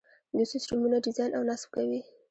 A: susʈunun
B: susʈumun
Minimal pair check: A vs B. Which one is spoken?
B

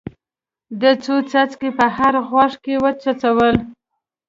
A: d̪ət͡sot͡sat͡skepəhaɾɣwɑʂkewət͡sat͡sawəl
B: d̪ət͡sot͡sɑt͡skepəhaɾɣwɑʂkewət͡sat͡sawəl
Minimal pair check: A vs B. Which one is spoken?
A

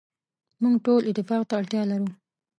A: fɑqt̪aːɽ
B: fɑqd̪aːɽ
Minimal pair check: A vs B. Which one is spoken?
A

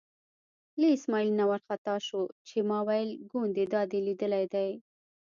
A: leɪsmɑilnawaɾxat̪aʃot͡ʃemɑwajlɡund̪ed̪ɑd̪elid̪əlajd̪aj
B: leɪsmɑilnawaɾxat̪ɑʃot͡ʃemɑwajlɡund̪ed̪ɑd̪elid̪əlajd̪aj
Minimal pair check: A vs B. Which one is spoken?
B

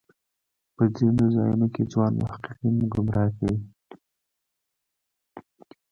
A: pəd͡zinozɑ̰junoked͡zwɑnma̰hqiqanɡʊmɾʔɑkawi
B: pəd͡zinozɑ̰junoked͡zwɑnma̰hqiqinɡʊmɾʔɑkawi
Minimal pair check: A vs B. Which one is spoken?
B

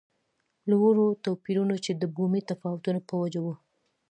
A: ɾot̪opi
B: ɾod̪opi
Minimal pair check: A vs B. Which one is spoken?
A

